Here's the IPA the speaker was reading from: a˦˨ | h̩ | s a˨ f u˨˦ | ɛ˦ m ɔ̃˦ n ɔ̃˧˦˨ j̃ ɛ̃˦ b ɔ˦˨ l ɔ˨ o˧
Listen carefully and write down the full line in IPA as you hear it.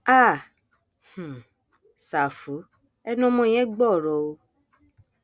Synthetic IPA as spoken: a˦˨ | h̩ | s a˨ f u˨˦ | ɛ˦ n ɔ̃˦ m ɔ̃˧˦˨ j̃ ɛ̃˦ ɡ͡b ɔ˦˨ ɾ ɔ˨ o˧